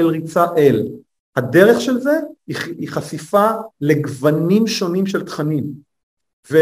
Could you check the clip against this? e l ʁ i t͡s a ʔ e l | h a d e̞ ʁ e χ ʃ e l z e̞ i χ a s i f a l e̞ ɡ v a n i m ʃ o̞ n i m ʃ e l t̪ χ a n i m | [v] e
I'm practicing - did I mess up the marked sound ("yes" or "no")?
no